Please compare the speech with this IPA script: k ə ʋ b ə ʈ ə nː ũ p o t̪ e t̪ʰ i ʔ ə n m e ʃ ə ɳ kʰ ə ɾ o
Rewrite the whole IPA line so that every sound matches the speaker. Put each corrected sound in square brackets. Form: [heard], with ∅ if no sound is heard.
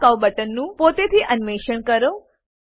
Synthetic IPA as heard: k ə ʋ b ə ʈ ə nː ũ p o t̪ e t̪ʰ i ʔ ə n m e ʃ ə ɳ [k] ə ɾ o